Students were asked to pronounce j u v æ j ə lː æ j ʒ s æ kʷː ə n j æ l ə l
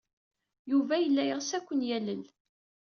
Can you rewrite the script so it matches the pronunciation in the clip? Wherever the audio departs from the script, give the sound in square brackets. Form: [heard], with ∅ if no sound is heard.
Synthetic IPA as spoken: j u v æ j ə lː æ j [ʁ] s æ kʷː ə n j æ l ə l